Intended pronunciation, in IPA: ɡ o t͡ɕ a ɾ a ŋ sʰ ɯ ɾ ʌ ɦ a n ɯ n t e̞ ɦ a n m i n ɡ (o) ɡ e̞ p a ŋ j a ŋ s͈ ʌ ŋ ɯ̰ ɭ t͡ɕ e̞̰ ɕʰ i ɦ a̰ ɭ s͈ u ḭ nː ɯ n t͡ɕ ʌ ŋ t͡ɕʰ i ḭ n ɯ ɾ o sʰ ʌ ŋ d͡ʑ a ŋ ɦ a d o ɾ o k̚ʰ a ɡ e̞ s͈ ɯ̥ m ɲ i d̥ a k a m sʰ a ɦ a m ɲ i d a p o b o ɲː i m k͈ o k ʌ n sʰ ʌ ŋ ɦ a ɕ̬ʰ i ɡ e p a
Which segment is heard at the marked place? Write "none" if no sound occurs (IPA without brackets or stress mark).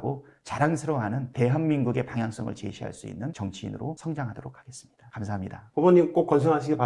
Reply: u